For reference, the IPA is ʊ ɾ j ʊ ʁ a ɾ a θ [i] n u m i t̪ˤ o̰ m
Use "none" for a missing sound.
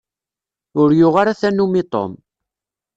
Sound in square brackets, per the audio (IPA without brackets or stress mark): æ